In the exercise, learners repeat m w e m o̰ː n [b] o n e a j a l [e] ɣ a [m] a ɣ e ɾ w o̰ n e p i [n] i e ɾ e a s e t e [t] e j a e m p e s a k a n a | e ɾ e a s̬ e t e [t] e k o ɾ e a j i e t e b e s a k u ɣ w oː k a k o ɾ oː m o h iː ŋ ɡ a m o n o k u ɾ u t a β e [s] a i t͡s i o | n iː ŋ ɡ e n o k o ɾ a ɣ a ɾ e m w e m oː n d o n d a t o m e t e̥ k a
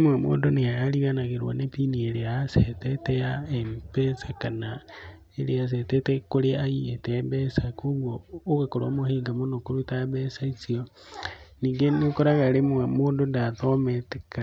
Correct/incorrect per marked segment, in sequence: incorrect: d, incorrect: i, incorrect: n, correct, correct, correct, correct

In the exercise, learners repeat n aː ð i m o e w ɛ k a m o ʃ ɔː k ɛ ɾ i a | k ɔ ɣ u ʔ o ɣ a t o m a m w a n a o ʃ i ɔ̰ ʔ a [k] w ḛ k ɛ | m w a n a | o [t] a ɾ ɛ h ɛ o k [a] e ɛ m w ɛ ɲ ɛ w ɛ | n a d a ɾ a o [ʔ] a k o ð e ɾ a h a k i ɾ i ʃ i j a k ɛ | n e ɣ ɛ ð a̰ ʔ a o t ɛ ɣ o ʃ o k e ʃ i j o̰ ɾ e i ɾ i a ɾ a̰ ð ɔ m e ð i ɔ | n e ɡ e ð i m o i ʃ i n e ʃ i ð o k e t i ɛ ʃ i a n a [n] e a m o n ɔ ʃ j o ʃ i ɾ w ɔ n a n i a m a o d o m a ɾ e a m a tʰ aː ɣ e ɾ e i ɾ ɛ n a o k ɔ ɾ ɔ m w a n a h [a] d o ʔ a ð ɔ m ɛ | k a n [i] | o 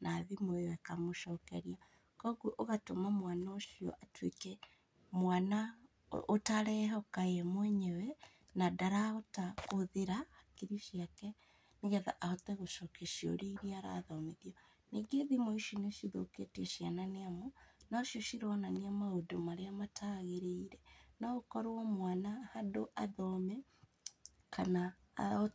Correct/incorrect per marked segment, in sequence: incorrect: t, correct, correct, incorrect: t, correct, correct, incorrect: a

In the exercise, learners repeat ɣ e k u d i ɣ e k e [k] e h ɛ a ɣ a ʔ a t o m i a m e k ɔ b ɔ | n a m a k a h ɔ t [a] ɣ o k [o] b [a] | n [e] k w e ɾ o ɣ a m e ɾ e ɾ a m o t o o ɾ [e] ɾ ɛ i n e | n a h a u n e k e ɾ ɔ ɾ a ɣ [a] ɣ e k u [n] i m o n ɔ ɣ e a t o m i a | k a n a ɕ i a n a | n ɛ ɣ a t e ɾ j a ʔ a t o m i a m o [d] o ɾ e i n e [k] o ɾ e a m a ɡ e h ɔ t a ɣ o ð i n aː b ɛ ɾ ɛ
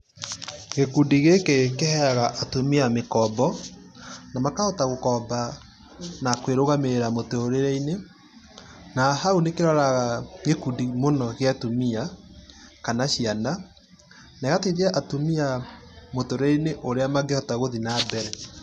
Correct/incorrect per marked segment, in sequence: correct, correct, incorrect: ɔ, correct, incorrect: a, correct, correct, incorrect: d, incorrect: t, incorrect: ʔ

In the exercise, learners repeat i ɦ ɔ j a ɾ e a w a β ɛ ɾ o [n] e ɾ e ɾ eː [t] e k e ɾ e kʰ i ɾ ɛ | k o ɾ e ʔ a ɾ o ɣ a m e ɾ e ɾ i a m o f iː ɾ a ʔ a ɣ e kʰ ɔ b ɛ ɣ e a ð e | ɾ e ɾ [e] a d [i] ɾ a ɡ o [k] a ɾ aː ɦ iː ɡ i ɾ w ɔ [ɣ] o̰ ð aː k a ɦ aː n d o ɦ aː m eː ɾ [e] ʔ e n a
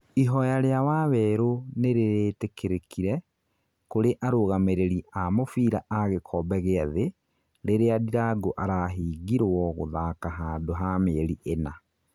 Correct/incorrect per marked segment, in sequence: correct, correct, correct, correct, incorrect: ʔ, correct, incorrect: i

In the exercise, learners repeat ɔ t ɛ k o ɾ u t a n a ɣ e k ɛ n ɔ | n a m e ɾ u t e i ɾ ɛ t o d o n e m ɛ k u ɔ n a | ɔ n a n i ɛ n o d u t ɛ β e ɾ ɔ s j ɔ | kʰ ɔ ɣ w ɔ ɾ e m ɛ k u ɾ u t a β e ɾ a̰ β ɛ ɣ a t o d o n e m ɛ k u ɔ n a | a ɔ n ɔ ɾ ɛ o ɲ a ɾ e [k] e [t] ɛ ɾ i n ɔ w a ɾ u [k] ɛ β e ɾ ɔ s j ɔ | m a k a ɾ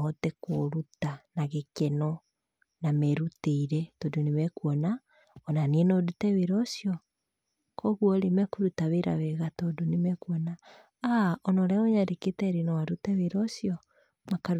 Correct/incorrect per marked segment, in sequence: correct, correct, incorrect: t

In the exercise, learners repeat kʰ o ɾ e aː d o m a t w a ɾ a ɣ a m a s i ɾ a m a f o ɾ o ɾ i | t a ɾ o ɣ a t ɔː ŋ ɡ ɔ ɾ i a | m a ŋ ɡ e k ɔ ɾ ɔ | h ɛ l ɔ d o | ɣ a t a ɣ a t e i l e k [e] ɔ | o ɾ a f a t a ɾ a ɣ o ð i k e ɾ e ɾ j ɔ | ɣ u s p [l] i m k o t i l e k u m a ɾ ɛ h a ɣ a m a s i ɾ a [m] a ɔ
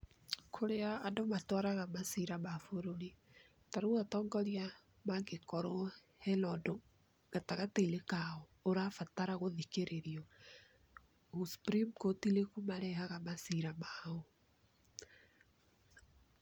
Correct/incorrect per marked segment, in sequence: incorrect: a, incorrect: ɾ, correct

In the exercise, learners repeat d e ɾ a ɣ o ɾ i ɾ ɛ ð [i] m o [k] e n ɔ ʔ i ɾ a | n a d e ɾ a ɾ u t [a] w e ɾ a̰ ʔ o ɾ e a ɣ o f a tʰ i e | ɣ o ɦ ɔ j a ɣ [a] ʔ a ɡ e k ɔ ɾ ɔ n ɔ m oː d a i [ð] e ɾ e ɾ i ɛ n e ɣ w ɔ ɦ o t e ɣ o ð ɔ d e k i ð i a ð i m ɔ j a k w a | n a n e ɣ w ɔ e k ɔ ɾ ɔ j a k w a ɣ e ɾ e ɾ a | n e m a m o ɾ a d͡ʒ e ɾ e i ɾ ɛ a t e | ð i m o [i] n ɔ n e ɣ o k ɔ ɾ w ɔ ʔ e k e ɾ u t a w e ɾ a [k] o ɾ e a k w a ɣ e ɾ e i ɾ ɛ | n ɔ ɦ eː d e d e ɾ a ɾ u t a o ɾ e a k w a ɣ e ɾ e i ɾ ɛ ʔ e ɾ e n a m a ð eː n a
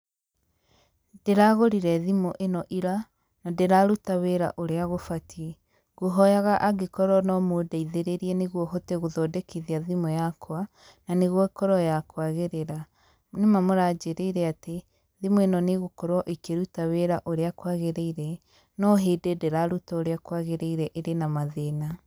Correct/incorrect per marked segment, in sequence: correct, incorrect: ʔ, correct, correct, correct, incorrect: e, incorrect: ʔ

